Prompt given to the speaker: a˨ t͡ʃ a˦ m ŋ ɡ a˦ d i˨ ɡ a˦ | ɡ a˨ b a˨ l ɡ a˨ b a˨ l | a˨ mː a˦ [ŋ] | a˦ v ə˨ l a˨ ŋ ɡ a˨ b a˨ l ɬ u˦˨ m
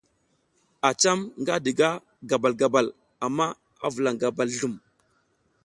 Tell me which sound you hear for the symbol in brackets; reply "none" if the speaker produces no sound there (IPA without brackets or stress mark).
none